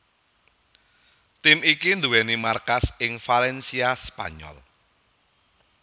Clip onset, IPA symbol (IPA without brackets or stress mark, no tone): t̪